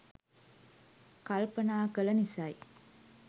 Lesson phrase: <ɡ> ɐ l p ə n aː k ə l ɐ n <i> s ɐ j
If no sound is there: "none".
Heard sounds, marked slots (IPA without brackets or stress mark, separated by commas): k, i